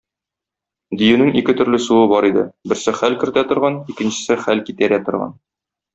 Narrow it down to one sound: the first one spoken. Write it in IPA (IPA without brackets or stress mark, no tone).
d̪